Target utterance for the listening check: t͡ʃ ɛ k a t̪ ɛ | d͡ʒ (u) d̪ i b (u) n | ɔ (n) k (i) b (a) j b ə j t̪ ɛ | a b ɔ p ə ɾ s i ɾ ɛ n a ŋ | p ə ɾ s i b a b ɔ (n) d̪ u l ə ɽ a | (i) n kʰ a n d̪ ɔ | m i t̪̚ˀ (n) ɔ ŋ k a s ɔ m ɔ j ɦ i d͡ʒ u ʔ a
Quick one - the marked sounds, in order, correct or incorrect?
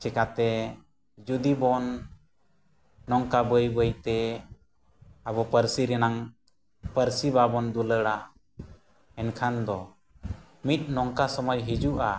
correct, incorrect, incorrect, incorrect, incorrect, correct, incorrect, correct

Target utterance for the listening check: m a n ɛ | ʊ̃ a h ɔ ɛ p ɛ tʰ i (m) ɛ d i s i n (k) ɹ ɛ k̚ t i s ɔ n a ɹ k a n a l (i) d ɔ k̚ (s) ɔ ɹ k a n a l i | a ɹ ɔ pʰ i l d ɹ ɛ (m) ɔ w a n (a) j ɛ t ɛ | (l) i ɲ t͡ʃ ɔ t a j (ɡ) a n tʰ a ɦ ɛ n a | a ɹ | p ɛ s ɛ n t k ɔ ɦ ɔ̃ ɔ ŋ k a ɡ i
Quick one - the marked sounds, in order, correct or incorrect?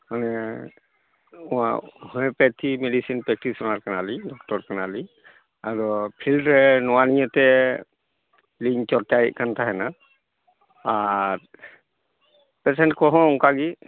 correct, incorrect, correct, incorrect, incorrect, incorrect, correct, incorrect

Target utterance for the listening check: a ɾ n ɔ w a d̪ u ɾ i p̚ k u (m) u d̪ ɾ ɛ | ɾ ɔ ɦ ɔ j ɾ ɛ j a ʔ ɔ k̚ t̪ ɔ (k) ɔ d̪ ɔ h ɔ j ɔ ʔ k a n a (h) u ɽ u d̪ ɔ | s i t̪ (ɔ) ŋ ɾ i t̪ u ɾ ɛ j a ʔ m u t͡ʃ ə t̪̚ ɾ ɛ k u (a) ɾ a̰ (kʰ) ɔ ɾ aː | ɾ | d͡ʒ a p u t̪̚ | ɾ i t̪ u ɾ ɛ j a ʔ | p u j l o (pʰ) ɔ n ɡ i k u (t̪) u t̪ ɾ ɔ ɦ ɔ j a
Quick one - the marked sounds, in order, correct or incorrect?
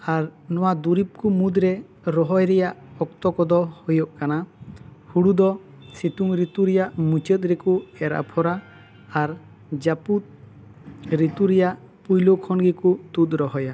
correct, correct, correct, incorrect, incorrect, incorrect, incorrect, correct

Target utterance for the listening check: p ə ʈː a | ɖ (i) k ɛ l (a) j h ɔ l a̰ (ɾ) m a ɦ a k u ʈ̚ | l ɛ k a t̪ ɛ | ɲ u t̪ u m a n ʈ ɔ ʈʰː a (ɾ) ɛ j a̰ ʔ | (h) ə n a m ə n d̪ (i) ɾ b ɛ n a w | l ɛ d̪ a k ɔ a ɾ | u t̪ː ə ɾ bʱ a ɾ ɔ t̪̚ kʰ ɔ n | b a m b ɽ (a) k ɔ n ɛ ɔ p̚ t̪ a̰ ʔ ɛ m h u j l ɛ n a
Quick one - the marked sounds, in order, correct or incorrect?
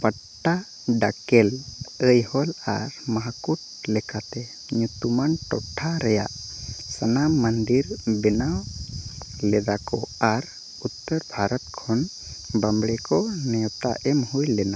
incorrect, incorrect, correct, correct, incorrect, correct, incorrect

